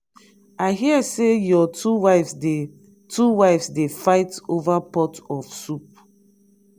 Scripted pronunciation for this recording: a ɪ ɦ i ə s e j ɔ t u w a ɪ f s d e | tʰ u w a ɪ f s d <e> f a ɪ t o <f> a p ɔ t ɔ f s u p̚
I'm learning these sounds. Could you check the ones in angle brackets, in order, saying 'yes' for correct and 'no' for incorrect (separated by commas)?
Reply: yes, no